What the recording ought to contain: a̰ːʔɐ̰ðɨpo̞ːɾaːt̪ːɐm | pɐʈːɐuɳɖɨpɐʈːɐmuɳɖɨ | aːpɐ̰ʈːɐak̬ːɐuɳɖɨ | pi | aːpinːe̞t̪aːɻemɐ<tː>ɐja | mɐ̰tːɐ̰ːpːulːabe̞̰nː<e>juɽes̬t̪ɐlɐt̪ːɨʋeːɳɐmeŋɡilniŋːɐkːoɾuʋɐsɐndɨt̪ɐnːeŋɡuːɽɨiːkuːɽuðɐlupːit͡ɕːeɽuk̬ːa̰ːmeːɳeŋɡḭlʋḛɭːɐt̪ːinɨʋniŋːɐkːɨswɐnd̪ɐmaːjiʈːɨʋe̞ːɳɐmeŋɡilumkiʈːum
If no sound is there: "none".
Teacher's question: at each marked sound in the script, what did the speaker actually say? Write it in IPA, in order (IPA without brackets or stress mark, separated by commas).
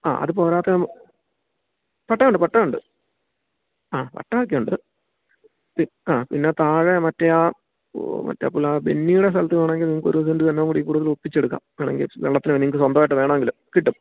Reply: tː, i